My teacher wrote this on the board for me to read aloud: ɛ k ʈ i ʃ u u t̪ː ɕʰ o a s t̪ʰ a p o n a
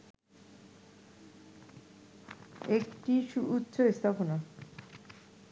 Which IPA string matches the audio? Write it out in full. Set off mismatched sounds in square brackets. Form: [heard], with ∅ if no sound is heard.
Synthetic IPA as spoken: [e] k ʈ i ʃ u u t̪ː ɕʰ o [e] s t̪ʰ a p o n a